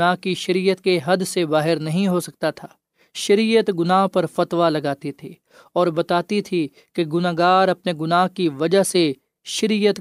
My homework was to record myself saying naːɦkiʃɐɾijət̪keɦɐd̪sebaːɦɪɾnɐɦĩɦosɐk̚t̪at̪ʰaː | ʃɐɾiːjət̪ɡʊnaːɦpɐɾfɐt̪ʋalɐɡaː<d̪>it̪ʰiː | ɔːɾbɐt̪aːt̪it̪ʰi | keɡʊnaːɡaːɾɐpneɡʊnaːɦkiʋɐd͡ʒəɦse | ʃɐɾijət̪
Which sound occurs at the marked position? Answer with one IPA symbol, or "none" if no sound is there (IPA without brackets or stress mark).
t̪